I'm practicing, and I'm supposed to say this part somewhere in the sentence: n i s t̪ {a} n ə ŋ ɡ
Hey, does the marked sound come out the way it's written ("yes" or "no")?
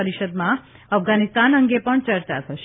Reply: yes